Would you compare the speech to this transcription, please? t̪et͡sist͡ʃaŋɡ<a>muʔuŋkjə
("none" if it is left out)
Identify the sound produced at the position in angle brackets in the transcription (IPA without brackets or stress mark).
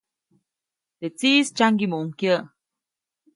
i